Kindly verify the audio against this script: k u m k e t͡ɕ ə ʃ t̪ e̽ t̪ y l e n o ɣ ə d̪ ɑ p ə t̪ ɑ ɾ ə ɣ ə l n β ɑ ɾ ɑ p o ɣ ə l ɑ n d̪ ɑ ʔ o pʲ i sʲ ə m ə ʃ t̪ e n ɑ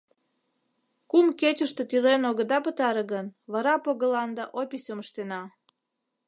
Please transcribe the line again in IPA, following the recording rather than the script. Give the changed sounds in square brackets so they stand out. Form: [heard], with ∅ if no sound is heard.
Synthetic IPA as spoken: k u m k e t͡ɕ ə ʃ t̪ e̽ t̪ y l e n o ɣ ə d̪ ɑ p ə t̪ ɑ ɾ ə ɣ ə [∅] n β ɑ ɾ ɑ p o ɣ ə l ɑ n d̪ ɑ ʔ o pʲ i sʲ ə m ə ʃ t̪ e n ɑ